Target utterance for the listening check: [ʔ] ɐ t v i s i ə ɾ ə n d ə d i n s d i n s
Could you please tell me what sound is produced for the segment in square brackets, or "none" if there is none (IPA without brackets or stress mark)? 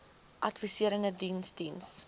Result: ʔ